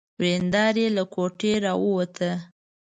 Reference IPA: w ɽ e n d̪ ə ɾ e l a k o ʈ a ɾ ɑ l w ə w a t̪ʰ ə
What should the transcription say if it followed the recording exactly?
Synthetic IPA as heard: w ɾ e n d̪ ɑ ɾ e l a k o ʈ e ɾ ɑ w ə w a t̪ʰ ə